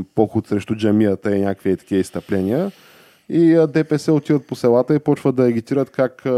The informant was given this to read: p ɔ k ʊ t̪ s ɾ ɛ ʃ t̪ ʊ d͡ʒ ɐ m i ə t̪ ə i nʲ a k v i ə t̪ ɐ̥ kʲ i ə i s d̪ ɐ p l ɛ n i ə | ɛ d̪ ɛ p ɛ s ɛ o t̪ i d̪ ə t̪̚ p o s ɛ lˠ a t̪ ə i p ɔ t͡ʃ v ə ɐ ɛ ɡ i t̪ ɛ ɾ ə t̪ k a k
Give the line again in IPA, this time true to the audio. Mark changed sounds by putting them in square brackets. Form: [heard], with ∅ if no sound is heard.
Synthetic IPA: p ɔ [x] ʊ t̪ s ɾ ɛ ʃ t̪ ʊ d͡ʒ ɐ m i ə t̪ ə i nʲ a k v i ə t̪ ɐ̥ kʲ i ə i s [t̪] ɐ p l ɛ n i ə | [i] d̪ ɛ p ɛ s ɛ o t̪ i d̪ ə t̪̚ p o s ɛ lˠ a t̪ ə i p ɔ t͡ʃ v ə ɐ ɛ ɡ i t̪ [i] ɾ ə t̪ k a k